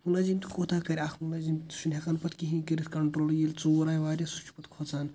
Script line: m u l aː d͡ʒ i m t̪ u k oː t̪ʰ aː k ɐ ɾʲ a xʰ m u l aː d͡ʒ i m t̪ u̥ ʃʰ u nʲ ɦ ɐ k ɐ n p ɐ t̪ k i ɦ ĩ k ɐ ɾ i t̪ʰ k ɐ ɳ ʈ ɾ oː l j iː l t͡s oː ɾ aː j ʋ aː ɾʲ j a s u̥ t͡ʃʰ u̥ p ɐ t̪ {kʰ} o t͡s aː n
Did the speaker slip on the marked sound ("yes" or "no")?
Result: no